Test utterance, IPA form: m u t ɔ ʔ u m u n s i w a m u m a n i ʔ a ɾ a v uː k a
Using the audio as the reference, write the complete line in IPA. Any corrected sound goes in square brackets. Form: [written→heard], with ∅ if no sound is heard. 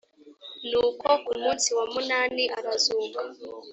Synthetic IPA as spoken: [m→n] u [t→k] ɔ [ʔ→k] u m u n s i w a m u [m→n] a n i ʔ a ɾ a [v→z] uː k a